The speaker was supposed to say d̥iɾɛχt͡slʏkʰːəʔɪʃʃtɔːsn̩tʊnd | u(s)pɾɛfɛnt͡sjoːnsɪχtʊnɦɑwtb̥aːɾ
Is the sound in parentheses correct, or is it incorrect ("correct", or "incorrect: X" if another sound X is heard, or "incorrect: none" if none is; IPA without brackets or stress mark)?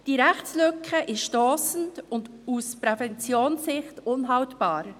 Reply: correct